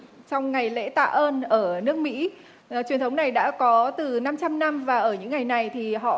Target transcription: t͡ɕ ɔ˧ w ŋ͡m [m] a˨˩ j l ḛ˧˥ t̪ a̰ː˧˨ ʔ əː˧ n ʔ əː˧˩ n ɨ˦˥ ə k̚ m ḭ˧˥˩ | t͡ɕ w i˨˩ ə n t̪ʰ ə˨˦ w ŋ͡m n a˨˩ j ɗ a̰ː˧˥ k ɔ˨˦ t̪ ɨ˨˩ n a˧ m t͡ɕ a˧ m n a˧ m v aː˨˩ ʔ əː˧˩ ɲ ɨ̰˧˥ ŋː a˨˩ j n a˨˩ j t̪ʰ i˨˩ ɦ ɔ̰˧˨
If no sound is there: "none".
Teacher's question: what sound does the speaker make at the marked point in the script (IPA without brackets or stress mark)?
ŋ